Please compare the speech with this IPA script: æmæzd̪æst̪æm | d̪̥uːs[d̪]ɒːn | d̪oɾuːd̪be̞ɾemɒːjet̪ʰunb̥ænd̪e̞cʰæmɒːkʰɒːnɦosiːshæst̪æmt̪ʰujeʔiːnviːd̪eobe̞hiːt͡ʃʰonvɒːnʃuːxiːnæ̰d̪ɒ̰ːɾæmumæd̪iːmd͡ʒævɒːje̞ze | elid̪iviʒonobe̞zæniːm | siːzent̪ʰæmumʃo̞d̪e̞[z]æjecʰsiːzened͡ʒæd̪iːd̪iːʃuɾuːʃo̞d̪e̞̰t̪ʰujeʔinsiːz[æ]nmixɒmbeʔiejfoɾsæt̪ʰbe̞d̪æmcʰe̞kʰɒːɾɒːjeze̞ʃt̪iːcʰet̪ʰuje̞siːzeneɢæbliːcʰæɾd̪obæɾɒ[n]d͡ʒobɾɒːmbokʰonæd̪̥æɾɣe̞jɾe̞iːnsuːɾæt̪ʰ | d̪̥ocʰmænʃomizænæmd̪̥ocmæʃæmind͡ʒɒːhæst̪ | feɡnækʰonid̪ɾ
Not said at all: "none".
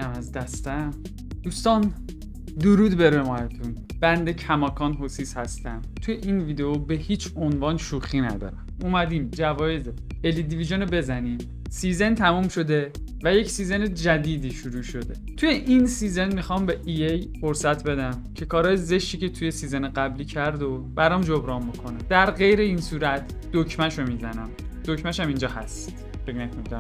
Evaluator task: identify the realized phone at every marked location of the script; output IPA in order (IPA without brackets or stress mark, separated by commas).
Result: t̪, v, e, m